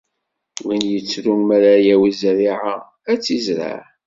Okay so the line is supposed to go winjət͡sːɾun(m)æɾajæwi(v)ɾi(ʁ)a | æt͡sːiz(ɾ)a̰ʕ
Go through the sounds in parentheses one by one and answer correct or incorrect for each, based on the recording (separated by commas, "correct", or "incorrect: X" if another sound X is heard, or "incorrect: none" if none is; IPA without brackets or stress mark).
correct, incorrect: z, incorrect: ʕ, correct